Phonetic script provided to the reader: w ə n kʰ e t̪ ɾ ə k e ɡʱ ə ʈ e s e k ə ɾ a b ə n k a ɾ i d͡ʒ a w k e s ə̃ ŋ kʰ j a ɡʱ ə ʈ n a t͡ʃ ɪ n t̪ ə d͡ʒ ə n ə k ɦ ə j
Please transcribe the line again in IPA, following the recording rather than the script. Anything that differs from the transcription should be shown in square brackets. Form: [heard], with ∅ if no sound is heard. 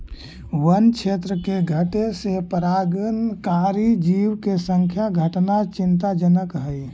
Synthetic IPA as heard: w ə n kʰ e t̪ ɾ ə k e ɡʱ ə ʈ e s e [p] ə ɾ a [ɡ] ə n k a ɾ i d͡ʒ [i] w k e s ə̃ ŋ kʰ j a ɡʱ ə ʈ n a t͡ʃ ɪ n t̪ [a] d͡ʒ ə n ə k ɦ ə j

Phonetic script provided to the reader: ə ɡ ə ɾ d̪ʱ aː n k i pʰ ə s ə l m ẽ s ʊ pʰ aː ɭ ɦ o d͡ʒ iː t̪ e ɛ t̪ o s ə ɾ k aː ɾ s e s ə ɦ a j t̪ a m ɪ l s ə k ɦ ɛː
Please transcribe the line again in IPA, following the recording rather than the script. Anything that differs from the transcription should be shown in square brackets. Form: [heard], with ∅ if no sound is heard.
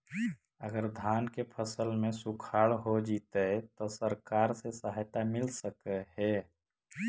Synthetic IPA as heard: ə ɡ ə ɾ d̪ʱ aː n k [e] pʰ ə s ə l m ẽ s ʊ [kʰ] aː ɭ ɦ o d͡ʒ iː t̪ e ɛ t̪ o s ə ɾ k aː ɾ s e s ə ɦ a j t̪ a m ɪ l s ə k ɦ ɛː

